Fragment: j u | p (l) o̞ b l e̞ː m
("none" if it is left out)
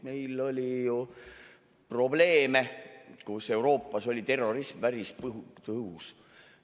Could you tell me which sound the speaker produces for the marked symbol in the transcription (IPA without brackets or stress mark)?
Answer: r